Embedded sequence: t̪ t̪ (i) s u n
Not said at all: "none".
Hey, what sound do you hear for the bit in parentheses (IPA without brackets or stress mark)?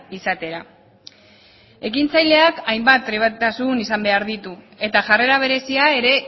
a